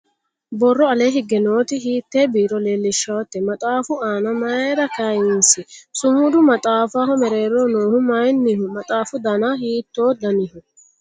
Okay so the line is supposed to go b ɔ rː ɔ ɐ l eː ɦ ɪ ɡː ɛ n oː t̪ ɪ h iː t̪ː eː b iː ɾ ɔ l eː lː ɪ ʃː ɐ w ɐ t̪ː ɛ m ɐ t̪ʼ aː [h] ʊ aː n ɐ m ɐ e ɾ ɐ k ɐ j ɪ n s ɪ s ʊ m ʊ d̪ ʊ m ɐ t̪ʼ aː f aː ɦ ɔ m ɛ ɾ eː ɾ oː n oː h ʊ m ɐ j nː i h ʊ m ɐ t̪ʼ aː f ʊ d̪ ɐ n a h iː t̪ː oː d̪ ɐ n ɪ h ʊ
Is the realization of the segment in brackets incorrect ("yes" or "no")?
yes